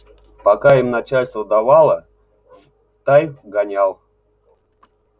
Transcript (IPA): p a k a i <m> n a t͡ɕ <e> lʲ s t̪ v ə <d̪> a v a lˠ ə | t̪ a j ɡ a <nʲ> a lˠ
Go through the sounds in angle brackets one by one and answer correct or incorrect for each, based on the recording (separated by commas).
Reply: correct, incorrect, correct, correct